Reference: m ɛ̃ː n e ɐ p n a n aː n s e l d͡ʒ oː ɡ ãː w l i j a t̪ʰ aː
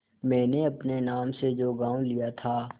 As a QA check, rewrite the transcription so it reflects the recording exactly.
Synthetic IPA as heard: m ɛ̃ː n e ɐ p n e n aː m s e d͡ʒ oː ɡ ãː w l i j a t̪ʰ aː